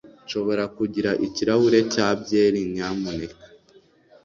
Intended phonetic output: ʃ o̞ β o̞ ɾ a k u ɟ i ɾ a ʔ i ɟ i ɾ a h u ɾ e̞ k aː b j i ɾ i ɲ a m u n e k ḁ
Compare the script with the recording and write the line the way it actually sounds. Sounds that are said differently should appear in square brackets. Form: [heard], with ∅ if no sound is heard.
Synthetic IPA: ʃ o̞ β o̞ ɾ a k u ɟ i ɾ a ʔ i [c] i ɾ a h u ɾ e̞ [c] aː b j [e] ɾ i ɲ a m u n e k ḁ